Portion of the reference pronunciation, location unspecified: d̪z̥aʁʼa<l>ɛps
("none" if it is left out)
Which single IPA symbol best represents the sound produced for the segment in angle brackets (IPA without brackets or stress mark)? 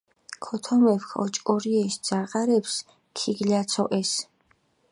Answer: ɾ